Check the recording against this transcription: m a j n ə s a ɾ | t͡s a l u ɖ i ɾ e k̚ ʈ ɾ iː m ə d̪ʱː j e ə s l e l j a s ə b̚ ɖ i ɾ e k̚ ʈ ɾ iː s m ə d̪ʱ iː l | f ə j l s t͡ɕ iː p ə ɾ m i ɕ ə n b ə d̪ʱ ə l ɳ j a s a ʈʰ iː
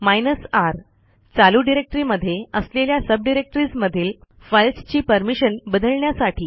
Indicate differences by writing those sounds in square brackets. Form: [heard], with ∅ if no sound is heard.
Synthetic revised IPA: m a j n ə s a ɾ | t͡s a l u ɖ i ɾ e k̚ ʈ ɾ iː m ə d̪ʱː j e ə s l e l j a s ə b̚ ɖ i ɾ e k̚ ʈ ɾ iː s m ə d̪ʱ iː l | f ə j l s t͡ɕ iː p ə ɾ m i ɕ ə n b ə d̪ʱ ə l ɳ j a s a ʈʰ iː